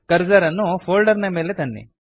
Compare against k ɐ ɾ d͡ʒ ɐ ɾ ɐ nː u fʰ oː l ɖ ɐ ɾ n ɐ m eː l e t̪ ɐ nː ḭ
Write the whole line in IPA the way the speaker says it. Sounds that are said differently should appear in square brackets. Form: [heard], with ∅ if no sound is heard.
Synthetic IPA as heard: k ɐ ɾ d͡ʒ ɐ ɾ ɐ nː u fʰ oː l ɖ ɐ ɾ n ɐ m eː l e t̪ ɐ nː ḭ